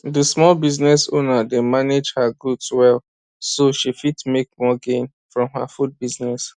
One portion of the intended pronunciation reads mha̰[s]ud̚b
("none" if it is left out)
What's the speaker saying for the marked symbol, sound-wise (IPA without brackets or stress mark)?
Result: f